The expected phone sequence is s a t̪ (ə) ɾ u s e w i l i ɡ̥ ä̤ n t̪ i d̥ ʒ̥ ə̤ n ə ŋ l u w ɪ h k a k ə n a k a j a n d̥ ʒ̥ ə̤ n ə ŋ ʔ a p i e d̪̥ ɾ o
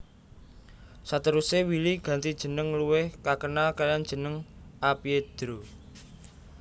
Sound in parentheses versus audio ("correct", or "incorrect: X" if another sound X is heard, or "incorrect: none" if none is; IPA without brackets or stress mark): correct